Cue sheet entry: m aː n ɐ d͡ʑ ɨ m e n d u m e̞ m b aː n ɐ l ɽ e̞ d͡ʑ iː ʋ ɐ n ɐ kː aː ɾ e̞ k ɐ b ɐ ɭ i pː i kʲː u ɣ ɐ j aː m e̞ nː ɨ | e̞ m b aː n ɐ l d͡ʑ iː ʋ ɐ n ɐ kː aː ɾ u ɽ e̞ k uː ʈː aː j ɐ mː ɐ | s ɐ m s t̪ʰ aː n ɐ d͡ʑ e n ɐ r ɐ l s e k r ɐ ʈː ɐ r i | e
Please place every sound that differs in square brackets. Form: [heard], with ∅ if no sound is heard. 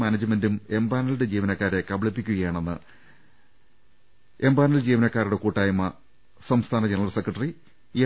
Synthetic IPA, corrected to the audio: m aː n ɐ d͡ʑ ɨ m e n d u m e̞ m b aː n ɐ l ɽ e̞ d͡ʑ iː ʋ ɐ n ɐ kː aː ɾ e̞ k ɐ b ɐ ɭ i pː i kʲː u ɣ ɐ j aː [ɳ] e̞ nː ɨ | e̞ m b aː n ɐ l d͡ʑ iː ʋ ɐ n ɐ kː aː ɾ u ɽ e̞ k uː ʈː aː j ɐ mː ɐ | s ɐ m s t̪ʰ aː n ɐ d͡ʑ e n ɐ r ɐ l s e k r ɐ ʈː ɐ r i | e

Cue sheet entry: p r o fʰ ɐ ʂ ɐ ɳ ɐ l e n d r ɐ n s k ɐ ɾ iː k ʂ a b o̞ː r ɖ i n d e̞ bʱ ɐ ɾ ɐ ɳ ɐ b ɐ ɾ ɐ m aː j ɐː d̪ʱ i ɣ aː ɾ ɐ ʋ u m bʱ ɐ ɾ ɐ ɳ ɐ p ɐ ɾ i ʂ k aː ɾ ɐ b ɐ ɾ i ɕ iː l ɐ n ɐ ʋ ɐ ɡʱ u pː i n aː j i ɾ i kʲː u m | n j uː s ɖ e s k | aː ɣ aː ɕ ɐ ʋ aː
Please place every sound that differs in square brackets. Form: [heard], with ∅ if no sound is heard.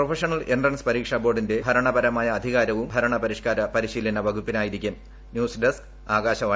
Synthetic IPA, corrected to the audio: p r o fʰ ɐ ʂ ɐ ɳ ɐ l e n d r ɐ n s [p] ɐ ɾ iː k ʂ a b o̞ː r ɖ i n d e̞ bʱ ɐ ɾ ɐ ɳ ɐ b ɐ ɾ ɐ m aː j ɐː d̪ʱ i ɣ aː ɾ ɐ ʋ u m bʱ ɐ ɾ ɐ ɳ ɐ p ɐ ɾ i ʂ k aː ɾ ɐ [p] ɐ ɾ i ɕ iː l ɐ n ɐ ʋ ɐ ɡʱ u pː i n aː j i ɾ i kʲː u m | n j uː s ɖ e s k | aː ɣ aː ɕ ɐ ʋ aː

